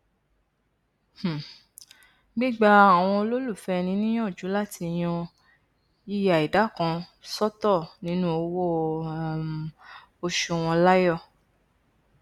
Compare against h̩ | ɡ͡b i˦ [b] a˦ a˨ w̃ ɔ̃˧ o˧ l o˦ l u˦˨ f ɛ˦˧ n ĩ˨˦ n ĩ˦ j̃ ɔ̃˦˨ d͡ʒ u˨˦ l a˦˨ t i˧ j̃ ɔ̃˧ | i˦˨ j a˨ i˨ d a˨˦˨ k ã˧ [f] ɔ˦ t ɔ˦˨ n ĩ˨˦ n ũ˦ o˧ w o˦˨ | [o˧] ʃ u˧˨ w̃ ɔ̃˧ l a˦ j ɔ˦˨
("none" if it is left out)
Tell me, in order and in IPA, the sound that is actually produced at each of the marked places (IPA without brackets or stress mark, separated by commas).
ɡ͡b, s, o˧